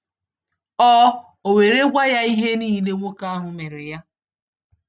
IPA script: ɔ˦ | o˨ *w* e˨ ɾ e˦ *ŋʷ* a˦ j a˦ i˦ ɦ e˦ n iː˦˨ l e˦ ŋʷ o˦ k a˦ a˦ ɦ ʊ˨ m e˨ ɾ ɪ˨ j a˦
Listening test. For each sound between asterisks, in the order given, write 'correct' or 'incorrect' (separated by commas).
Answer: correct, incorrect